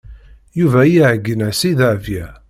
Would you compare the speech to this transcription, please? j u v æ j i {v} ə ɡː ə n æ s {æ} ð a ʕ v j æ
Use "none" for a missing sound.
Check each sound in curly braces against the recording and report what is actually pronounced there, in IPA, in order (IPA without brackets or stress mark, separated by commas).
ʕ, i